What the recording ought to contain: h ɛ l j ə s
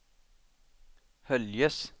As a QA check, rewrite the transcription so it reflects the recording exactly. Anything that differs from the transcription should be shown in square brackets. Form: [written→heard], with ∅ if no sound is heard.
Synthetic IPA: h [ɛ→œ] l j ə s